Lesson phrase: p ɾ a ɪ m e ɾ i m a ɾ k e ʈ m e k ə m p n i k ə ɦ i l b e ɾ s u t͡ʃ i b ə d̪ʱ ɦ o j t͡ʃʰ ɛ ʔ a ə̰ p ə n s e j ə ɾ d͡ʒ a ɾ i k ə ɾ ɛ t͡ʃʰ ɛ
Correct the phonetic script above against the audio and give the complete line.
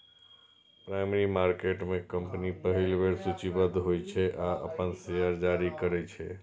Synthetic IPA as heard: p ɾ a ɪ m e ɾ i m a ɾ k e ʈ m e k ə m p n i p ə ɦ i l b e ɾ s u t͡ʃ i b ə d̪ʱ ɦ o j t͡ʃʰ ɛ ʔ a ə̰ p ə n s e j ə ɾ d͡ʒ a ɾ i k ə ɾ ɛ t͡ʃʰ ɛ